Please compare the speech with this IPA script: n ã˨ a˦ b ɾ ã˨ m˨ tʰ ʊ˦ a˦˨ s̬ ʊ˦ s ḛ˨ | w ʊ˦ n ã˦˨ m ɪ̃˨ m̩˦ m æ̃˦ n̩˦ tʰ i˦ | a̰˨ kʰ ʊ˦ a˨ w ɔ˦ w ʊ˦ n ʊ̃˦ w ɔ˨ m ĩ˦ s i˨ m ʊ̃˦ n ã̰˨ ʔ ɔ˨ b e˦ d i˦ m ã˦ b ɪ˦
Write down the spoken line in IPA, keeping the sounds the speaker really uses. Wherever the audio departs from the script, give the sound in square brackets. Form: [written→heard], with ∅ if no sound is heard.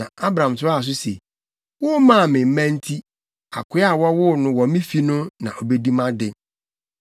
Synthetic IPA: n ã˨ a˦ b ɾ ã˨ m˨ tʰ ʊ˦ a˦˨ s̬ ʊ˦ s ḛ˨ | w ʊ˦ [n→m] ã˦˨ m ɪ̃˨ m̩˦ m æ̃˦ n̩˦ tʰ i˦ | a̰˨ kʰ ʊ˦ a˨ w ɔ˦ w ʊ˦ n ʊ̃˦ w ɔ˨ m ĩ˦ [s→f] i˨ [m→n] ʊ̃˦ n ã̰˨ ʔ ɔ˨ b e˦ d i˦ m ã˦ [b→d] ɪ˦